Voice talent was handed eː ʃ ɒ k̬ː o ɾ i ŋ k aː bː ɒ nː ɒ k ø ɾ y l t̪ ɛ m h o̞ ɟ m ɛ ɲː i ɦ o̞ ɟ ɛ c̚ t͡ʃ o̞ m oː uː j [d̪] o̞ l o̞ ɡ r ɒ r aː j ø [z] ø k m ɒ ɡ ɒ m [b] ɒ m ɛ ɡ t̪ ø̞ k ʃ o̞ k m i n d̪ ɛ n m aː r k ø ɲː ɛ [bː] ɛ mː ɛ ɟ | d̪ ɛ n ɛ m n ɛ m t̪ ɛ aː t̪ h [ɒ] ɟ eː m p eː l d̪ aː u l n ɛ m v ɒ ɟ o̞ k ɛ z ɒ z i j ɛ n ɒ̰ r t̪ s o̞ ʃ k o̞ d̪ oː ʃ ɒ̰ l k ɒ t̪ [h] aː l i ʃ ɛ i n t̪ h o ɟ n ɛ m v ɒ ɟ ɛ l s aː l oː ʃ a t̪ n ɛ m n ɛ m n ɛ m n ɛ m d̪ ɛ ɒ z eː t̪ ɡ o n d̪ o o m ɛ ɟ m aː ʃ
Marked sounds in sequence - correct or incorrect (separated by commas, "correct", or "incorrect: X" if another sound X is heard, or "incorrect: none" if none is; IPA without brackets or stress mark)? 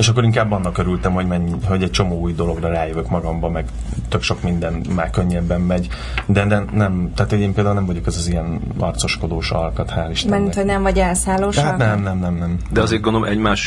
correct, incorrect: v, correct, correct, incorrect: o, correct